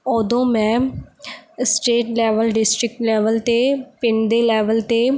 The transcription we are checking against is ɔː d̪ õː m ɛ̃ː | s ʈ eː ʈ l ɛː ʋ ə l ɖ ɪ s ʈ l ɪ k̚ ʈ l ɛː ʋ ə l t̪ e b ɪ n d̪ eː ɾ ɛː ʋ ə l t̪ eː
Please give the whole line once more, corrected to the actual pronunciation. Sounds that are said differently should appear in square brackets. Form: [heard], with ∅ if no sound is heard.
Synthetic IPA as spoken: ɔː d̪ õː m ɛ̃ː | s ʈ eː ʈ l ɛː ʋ ə l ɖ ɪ s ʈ [ɾ] ɪ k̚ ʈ l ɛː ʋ ə l t̪ e [p] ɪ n d̪ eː [l] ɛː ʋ ə l t̪ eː